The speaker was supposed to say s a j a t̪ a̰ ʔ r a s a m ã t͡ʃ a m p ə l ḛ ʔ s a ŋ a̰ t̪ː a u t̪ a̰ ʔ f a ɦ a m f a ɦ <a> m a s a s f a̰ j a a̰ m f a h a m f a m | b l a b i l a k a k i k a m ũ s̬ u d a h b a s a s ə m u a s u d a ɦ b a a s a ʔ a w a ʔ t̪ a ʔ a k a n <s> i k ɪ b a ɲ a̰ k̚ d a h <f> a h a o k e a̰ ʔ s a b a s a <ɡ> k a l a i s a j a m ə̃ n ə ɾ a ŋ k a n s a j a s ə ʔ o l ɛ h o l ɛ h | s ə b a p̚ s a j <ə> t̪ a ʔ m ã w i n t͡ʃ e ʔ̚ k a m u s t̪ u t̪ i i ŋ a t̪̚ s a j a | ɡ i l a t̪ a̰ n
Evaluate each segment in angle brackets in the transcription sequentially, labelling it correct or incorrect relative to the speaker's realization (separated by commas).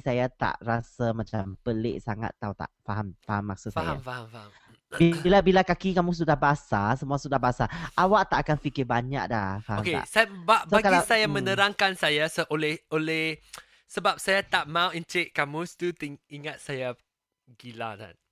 correct, incorrect, correct, correct, incorrect